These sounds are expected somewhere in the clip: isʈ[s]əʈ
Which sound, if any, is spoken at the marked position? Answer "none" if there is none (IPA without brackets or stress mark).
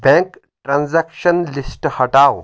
h